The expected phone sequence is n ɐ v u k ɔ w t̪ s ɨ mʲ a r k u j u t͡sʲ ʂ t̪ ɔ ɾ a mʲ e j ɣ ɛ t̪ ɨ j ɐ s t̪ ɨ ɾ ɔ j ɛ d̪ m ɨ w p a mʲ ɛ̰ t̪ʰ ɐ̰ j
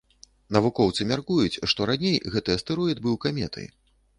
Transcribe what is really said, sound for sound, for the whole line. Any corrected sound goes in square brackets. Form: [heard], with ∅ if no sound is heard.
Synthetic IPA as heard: n ɐ v u k ɔ w t̪ s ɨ mʲ a r k u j u t͡sʲ ʂ t̪ ɔ ɾ a [nʲ] e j ɣ ɛ t̪ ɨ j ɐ s t̪ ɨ ɾ ɔ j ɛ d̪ [b] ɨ w [k] a mʲ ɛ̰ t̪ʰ ɐ̰ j